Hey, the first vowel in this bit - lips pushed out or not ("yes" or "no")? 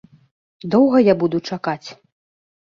yes